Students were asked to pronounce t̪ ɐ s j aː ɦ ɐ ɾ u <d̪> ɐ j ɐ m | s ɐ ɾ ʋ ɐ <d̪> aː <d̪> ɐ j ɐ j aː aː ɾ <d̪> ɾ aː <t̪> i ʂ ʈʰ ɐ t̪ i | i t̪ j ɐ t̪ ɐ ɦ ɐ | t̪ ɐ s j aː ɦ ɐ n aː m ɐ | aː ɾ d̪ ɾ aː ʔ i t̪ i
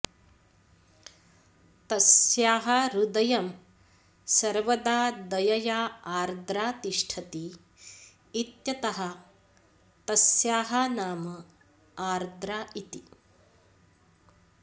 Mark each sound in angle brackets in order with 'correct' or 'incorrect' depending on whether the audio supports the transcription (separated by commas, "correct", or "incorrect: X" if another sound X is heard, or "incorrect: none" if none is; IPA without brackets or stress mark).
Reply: correct, correct, correct, correct, correct